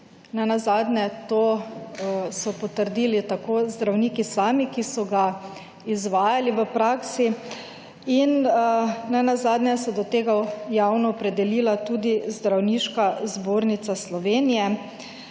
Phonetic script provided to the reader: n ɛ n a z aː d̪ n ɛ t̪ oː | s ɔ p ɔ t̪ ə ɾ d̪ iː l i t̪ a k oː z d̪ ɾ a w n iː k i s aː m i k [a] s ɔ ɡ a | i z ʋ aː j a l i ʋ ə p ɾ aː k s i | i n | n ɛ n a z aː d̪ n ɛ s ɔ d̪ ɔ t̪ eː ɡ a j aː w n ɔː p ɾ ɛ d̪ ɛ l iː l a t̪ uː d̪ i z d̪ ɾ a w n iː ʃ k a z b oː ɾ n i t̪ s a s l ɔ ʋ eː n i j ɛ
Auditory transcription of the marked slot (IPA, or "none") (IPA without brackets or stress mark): i